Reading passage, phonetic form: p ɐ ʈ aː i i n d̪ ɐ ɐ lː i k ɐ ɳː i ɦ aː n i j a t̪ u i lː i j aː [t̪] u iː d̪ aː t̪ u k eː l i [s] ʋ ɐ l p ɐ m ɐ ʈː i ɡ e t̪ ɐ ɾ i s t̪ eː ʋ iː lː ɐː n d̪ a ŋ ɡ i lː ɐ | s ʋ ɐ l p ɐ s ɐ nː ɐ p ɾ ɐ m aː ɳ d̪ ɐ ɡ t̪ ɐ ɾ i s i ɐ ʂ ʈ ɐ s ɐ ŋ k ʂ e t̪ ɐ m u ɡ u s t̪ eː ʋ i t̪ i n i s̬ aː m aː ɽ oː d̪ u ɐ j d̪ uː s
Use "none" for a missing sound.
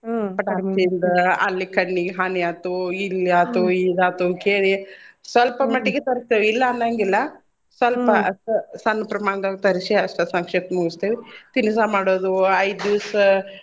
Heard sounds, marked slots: t̪, s

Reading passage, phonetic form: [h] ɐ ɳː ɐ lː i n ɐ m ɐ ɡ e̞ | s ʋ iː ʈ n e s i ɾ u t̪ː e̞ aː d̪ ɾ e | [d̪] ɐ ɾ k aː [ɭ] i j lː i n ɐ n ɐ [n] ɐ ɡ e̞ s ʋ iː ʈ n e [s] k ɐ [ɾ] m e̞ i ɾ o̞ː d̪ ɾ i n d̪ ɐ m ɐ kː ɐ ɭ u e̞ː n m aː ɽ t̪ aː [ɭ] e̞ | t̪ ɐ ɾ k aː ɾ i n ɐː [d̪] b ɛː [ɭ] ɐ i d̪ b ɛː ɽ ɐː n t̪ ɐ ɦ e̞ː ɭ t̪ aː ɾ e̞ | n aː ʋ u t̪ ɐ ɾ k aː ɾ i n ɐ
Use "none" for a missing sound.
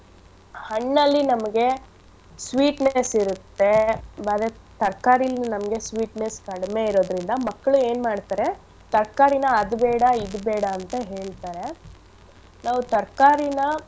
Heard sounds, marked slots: h, t̪, ɾ, m, s, ɽ, ɾ, d̪, ɽ

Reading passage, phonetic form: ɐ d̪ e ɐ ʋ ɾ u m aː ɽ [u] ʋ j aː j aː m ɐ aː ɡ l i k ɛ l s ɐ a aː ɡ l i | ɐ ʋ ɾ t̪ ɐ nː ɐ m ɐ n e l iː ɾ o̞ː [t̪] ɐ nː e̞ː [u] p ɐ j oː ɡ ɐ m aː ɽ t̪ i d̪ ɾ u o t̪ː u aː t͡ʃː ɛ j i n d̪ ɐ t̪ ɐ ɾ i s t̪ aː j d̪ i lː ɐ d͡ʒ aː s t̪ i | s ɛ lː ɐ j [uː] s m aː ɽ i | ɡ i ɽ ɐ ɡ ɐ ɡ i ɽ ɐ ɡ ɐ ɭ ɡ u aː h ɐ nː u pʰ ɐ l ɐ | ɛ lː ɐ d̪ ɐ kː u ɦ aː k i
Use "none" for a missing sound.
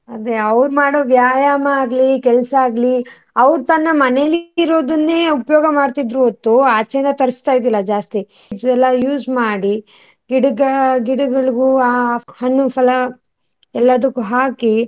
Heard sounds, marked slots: o, d̪, u, uː

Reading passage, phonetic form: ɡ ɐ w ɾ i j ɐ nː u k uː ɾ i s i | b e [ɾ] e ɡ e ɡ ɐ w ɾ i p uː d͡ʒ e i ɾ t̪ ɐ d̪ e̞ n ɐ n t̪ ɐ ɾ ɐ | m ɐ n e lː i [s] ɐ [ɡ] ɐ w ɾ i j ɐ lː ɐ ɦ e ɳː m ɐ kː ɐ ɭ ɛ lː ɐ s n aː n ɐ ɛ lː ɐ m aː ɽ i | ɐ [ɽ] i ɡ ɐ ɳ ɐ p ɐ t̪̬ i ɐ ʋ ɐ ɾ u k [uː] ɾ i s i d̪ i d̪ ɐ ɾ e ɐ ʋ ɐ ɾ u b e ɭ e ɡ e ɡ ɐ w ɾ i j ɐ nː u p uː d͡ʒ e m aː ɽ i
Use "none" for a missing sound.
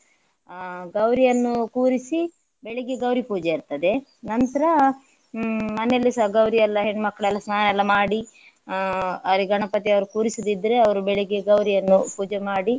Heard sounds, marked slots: ɭ, s, ɡ, ɾ, uː

